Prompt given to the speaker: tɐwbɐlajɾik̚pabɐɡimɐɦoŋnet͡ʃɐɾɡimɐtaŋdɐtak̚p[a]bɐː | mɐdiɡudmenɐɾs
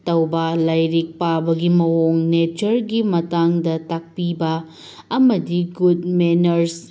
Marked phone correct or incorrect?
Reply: incorrect